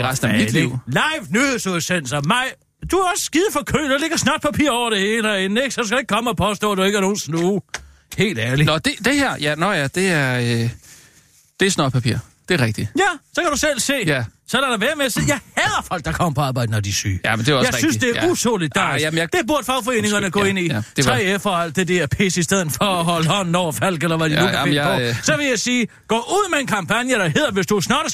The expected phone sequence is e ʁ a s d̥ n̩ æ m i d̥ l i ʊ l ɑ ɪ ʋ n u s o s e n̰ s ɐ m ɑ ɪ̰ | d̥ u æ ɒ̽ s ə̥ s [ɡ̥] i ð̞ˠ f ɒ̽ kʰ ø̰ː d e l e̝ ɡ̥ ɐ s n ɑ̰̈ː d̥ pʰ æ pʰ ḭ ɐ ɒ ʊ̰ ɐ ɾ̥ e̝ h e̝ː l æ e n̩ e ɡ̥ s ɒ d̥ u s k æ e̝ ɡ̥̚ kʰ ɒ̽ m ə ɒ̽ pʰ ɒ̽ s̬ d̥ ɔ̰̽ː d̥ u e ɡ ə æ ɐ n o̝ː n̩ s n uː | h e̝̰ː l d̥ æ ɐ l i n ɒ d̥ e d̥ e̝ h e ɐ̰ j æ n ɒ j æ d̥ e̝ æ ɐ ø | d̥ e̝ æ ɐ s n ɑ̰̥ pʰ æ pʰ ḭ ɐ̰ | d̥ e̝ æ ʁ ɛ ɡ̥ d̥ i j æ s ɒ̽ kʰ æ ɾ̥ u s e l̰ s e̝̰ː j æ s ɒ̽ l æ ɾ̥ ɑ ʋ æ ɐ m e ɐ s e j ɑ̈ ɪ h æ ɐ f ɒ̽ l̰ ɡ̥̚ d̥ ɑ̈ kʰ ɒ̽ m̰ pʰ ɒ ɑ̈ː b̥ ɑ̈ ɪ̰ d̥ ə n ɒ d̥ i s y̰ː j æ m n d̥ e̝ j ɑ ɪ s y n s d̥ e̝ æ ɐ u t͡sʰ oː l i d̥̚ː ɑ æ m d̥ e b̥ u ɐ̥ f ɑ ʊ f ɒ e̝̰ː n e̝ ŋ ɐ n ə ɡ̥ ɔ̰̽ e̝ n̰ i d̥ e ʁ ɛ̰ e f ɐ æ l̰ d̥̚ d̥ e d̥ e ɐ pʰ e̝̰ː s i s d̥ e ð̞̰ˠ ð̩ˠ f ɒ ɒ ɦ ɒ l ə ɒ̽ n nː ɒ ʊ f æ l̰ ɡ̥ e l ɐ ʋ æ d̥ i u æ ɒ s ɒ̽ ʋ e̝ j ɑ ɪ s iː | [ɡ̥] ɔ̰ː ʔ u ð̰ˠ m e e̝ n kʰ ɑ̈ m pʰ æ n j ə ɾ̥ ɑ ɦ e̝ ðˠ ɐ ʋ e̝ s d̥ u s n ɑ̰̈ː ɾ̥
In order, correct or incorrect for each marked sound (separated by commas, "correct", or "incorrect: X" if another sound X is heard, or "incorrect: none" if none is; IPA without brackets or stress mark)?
correct, correct